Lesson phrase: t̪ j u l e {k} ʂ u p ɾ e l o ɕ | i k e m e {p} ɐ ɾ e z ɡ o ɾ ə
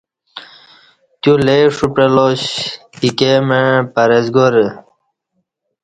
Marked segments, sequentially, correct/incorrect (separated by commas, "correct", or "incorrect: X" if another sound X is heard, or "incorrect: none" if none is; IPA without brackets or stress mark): incorrect: none, correct